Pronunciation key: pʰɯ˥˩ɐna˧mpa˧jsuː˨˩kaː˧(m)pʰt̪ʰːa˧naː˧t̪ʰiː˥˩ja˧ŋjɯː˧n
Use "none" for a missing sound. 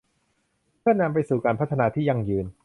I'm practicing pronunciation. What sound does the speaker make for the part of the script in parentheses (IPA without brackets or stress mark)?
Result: n